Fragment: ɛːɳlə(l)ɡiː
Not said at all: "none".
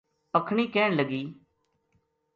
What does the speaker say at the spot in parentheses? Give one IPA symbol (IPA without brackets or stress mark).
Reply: none